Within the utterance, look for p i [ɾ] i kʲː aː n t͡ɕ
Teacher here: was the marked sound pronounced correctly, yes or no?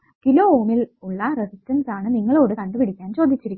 no